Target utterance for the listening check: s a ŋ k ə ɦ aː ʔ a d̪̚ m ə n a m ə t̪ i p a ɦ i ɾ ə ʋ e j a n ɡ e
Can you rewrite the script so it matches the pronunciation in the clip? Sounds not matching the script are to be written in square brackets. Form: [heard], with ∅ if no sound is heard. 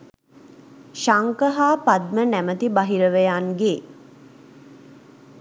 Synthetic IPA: [ʃ] a ŋ k ə ɦ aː [p] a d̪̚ m ə n [æ] m ə t̪ i [b] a ɦ i ɾ ə ʋ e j a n ɡ e